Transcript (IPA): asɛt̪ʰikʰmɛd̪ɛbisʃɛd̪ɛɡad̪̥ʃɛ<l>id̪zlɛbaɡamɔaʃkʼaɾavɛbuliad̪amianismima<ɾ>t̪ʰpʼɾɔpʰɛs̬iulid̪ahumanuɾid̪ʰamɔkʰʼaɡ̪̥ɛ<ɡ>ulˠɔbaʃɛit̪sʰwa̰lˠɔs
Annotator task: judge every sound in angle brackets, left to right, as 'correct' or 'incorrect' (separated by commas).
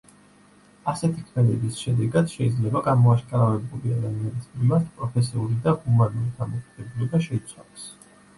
incorrect, correct, incorrect